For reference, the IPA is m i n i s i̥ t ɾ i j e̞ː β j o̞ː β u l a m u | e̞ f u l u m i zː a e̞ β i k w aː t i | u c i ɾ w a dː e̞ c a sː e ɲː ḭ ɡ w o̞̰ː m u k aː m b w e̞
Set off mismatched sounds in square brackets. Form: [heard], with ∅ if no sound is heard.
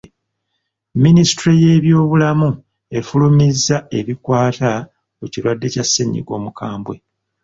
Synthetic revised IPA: m i n i s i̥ t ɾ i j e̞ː β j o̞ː β u l a m u | e̞ f u l u m i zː a e̞ β i k w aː t [a] | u c i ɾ w a dː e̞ c a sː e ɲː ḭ ɡ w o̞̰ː m u k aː m b w e̞